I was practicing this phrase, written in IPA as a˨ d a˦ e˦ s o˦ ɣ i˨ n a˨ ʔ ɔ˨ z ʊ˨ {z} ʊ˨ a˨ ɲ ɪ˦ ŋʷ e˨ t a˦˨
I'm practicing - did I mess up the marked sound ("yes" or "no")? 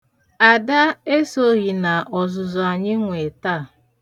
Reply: no